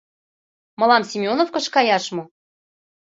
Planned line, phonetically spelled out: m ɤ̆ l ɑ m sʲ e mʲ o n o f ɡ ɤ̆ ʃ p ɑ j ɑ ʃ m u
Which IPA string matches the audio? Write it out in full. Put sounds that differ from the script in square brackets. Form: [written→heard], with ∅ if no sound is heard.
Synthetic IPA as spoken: m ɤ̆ l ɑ m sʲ [e→i] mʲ o n o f [ɡ→k] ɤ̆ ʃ [p→k] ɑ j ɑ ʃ m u